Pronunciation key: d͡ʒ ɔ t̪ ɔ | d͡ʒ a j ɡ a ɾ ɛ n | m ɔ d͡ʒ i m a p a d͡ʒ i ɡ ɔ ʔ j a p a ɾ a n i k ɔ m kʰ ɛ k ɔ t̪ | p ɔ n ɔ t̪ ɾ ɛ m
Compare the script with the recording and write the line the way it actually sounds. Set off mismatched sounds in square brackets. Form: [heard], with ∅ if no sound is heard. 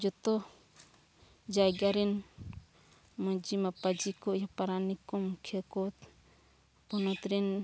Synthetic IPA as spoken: d͡ʒ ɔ t̪ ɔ | d͡ʒ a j ɡ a ɾ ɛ n | m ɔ d͡ʒ i m a p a d͡ʒ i [k] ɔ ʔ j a p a ɾ a n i k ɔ m kʰ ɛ k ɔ t̪ | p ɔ n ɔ t̪ ɾ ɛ [n]